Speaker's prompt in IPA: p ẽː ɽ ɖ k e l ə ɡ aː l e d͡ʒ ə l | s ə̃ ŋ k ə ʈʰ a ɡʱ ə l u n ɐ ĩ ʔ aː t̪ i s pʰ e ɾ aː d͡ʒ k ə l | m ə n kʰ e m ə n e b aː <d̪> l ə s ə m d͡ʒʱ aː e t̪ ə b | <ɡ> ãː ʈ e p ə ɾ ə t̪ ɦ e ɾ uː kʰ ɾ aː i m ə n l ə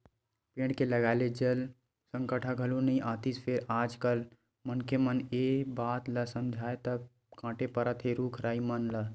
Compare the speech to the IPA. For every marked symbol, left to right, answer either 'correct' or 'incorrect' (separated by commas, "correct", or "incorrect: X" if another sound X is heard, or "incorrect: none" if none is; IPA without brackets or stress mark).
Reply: incorrect: t̪, incorrect: k